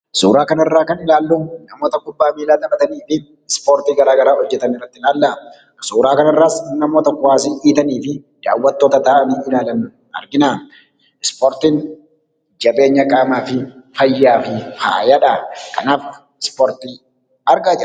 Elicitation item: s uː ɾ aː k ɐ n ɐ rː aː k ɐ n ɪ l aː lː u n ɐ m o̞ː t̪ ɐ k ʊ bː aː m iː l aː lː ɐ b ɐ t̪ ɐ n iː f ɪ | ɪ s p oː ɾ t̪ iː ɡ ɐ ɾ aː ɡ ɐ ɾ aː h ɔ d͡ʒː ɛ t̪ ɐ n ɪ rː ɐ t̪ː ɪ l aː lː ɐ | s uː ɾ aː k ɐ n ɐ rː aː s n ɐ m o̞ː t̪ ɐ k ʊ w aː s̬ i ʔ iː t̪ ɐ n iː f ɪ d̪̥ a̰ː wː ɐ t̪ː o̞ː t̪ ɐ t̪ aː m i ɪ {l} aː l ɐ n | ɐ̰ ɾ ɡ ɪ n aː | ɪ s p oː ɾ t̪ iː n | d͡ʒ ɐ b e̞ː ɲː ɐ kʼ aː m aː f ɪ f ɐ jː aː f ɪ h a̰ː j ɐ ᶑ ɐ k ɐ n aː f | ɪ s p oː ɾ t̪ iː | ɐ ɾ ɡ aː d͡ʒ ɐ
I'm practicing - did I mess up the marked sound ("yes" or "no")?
no